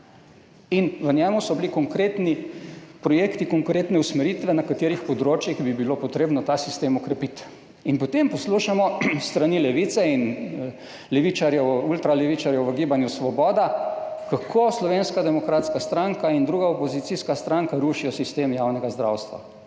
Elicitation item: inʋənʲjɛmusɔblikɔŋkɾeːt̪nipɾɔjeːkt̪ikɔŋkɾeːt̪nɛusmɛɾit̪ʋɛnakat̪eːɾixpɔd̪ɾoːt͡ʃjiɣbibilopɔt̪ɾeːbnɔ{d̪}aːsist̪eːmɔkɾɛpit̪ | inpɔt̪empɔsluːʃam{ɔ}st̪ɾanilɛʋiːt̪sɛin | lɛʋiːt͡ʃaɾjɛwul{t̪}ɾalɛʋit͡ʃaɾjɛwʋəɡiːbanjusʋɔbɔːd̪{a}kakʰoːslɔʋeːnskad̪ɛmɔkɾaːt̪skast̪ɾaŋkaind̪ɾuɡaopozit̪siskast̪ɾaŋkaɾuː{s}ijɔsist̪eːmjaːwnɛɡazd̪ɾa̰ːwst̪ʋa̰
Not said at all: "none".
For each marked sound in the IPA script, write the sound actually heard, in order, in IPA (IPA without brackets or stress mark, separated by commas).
t̪, ɔ, t̪, a, ʃ